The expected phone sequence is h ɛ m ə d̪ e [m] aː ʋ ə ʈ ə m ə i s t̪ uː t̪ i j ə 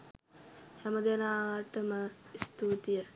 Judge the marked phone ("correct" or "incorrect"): incorrect